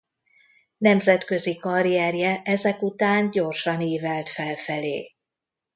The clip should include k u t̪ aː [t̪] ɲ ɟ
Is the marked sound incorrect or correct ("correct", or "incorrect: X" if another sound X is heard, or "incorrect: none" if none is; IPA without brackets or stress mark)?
incorrect: none